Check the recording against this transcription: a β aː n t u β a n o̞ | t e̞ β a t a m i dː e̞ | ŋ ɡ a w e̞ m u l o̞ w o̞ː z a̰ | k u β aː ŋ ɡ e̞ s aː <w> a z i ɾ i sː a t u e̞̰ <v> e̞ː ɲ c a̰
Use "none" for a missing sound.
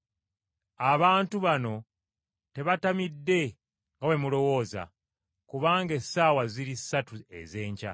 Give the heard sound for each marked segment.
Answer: w, z

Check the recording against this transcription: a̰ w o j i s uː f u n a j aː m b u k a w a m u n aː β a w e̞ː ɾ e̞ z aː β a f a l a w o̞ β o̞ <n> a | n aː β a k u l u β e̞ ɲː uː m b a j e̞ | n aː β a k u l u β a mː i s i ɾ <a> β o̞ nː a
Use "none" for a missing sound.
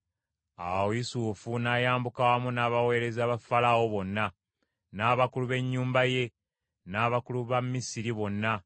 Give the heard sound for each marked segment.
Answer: nː, i

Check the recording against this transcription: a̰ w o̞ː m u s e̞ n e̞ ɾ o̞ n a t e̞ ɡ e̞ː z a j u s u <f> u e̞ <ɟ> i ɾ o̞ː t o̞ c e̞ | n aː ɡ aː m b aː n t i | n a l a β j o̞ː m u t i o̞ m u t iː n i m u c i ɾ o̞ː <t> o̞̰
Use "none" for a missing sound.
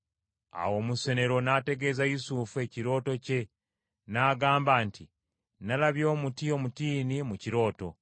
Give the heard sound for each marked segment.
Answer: f, c, t

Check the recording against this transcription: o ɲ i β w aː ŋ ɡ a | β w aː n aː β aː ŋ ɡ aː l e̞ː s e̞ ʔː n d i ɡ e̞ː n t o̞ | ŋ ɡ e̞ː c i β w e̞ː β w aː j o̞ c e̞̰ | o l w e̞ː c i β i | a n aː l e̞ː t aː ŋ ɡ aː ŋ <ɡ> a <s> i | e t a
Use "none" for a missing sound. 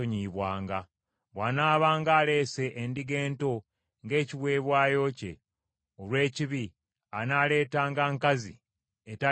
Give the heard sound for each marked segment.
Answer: k, z

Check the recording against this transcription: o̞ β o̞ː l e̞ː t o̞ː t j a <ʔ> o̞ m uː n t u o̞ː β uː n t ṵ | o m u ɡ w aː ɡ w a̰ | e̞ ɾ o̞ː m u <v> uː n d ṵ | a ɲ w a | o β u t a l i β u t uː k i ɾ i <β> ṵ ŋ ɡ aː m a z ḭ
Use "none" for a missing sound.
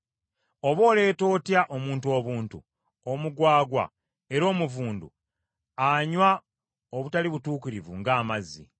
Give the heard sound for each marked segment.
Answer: ʔ, v, v

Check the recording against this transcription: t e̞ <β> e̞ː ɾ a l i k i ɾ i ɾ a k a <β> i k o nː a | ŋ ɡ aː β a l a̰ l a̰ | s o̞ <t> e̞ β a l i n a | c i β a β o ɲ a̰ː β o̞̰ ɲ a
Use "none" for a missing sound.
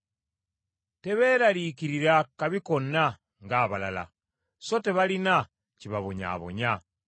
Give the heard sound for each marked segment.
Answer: β, β, t

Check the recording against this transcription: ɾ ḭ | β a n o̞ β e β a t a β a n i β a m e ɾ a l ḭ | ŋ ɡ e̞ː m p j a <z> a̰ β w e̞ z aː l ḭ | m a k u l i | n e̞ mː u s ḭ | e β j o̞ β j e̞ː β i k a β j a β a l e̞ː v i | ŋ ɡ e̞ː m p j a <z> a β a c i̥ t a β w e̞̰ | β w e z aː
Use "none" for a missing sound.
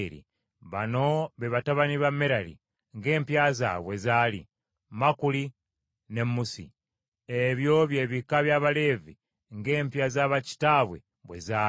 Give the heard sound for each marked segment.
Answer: z, z

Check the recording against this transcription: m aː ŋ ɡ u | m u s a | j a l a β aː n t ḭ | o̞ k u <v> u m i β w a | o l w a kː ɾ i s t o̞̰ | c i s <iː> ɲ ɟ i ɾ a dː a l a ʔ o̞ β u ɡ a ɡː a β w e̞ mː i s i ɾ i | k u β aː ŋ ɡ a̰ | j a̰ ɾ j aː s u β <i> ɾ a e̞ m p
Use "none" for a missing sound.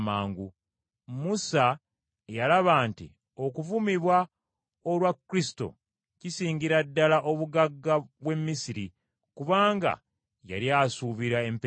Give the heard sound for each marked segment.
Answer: v, iː, i

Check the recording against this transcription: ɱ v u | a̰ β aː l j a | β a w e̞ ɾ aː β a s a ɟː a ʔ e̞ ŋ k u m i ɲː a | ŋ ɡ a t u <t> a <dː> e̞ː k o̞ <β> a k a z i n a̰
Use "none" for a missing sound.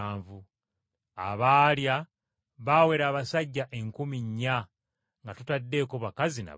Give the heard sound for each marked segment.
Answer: t, dː, β

